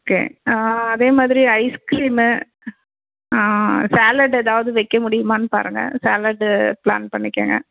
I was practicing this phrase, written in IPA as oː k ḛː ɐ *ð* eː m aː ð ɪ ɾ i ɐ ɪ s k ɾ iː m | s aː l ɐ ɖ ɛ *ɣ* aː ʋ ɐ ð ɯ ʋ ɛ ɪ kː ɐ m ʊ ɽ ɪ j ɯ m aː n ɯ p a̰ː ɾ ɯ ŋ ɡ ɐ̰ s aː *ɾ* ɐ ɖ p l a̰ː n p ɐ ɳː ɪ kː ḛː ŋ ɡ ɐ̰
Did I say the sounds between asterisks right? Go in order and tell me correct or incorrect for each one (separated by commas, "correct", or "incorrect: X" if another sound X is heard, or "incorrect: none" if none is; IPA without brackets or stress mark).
correct, incorrect: ð, incorrect: l